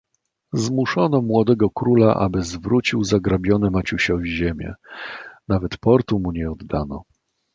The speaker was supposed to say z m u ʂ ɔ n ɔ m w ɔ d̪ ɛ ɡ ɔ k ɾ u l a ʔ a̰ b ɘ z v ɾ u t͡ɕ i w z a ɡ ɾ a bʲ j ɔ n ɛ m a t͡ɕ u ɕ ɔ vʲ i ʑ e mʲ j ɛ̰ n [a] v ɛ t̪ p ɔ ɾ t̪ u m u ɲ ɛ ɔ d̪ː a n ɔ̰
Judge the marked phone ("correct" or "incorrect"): correct